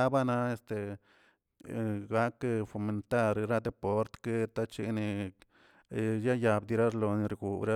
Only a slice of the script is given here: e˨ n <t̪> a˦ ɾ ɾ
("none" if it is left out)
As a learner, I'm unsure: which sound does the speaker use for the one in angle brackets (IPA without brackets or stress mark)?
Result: t̪